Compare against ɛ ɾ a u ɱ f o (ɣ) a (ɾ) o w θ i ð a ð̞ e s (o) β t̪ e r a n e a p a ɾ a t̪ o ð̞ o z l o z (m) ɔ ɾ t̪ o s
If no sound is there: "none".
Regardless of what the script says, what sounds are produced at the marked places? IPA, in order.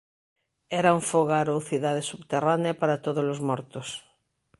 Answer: ɣ, ɾ, u, m

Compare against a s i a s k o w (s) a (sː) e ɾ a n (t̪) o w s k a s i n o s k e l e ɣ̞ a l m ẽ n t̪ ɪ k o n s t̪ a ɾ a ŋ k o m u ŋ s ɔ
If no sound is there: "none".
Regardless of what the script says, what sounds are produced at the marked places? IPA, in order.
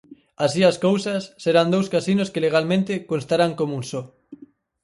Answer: s, sː, d̪

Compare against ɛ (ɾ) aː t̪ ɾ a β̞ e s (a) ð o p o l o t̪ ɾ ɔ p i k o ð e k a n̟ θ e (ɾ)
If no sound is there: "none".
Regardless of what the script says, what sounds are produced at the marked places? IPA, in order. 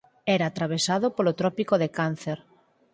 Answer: ɾ, a, ɾ

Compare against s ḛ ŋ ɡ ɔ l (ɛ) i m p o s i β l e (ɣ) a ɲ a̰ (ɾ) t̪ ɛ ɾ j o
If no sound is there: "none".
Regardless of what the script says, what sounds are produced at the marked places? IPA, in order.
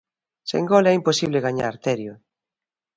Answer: ɛ, ɣ, ɾ

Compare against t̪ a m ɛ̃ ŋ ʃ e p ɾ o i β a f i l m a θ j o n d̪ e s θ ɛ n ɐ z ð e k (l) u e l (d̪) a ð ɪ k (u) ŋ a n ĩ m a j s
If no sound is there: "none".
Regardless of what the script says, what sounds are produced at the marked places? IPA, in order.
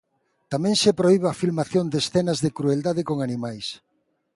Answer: ɾ, d̪, o

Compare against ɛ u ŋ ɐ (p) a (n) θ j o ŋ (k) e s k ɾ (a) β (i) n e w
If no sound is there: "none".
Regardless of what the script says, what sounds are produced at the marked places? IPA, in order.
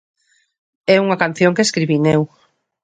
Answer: k, n, k, i, i

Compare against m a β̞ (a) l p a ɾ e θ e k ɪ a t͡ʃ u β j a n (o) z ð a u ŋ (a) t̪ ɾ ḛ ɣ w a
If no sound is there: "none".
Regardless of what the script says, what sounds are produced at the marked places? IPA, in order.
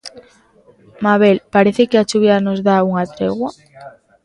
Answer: e, o, a

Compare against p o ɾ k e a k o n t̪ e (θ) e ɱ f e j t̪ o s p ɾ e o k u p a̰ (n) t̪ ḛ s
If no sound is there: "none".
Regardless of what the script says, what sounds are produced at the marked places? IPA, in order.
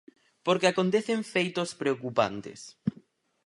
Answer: θ, n

